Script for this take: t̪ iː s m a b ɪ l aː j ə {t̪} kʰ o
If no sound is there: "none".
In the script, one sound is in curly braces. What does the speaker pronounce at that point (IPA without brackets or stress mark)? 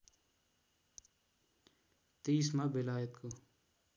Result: t̪